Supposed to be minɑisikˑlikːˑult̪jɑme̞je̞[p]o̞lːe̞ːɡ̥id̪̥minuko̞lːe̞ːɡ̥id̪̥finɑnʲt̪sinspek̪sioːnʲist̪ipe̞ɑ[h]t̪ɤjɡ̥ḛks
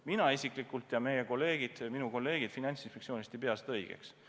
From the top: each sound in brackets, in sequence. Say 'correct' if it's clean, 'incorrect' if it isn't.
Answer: incorrect: k, incorrect: s

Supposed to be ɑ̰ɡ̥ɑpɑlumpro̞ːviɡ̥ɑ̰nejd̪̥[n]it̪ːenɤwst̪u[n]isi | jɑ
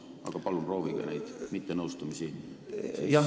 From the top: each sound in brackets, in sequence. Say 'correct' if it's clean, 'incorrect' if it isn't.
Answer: incorrect: m, incorrect: m

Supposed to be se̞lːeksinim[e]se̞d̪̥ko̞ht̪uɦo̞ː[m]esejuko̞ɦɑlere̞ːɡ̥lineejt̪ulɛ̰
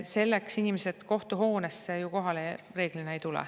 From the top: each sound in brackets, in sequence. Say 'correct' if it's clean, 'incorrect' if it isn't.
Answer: correct, incorrect: n

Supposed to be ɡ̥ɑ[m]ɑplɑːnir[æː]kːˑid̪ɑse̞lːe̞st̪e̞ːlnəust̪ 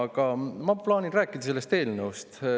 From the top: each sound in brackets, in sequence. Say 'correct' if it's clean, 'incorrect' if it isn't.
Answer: correct, correct

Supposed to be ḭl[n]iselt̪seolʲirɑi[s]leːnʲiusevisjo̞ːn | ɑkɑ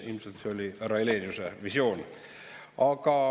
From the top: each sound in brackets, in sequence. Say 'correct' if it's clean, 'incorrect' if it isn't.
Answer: incorrect: m, incorrect: none

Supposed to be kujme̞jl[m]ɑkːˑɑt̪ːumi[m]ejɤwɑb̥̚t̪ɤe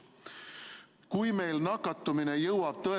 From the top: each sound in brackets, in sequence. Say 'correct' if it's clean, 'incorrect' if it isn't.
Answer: incorrect: n, incorrect: n

